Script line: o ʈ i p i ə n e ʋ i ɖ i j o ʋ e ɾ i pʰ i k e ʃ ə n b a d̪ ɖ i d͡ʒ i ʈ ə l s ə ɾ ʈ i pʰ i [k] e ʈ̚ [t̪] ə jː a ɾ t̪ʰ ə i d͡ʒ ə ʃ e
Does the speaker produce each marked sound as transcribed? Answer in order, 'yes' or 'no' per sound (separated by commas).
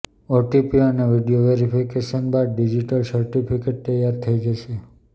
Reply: yes, yes